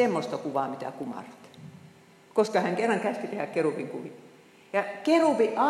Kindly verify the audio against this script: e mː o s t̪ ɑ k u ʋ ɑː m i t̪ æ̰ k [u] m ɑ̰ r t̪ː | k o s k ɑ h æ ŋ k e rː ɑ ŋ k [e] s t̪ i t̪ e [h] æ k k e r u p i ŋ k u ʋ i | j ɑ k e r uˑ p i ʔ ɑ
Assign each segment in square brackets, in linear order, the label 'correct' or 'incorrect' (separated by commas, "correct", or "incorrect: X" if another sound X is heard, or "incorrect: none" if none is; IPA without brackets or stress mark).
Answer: correct, incorrect: æ, correct